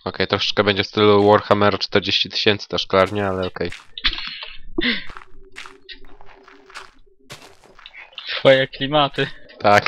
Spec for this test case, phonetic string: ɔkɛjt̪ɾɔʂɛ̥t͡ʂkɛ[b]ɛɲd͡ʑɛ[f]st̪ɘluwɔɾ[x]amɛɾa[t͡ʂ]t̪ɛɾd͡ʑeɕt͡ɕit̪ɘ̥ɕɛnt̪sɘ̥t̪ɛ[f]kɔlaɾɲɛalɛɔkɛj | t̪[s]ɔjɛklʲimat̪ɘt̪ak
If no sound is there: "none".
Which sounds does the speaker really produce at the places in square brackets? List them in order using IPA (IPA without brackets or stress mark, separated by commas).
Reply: b, f, x, t͡ʂ, ʂ, f